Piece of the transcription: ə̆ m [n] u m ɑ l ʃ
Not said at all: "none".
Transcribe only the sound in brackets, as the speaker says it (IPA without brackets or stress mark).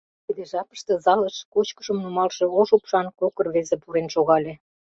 n